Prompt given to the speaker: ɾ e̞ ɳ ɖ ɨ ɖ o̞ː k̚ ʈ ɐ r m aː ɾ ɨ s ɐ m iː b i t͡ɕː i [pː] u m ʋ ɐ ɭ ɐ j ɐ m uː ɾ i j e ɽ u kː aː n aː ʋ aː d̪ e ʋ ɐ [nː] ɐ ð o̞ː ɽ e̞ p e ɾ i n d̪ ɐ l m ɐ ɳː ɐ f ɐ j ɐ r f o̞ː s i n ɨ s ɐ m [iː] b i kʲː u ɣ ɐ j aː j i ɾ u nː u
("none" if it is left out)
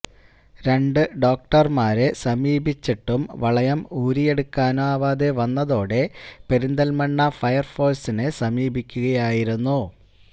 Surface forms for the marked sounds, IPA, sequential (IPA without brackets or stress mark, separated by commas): ʈː, nː, iː